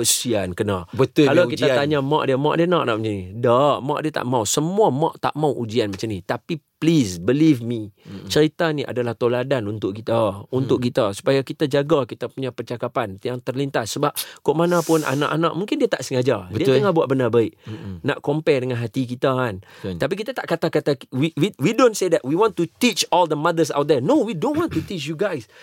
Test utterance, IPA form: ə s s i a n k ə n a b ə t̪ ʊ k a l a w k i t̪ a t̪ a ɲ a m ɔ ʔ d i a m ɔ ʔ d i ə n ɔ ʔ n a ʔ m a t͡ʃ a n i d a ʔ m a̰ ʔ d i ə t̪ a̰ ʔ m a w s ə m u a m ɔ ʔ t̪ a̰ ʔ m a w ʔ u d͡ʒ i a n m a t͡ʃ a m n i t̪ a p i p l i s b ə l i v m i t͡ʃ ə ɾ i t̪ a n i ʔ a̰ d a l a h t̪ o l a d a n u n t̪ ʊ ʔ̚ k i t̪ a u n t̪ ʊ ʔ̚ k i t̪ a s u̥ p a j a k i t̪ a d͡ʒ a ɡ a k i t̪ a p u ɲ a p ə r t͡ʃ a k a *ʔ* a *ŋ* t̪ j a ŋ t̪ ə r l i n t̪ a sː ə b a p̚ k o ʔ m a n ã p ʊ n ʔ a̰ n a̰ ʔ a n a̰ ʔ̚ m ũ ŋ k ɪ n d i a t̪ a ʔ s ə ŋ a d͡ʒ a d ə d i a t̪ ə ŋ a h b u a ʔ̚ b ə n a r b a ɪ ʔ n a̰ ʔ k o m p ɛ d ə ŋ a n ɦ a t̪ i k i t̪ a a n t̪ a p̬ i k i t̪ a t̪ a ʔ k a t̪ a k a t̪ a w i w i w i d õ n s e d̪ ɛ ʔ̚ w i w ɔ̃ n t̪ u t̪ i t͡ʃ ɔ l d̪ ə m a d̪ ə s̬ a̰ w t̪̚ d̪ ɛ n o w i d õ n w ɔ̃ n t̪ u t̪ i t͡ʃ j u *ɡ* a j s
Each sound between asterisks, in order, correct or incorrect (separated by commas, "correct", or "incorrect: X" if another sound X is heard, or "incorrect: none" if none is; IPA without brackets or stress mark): incorrect: p, incorrect: n, correct